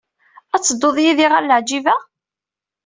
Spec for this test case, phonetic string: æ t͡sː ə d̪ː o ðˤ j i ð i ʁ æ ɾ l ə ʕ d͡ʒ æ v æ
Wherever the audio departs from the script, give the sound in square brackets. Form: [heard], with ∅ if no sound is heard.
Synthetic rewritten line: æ t͡sː ə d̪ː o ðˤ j i ð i ʁ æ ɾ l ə ʕ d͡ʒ [i] v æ